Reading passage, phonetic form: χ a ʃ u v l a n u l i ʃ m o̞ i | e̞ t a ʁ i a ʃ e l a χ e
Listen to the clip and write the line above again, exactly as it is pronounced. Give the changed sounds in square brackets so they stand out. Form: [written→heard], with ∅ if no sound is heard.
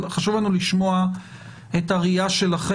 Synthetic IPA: χ a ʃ u v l a n u l i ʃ m o̞ [i→a] | e̞ t a ʁ i a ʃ e l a χ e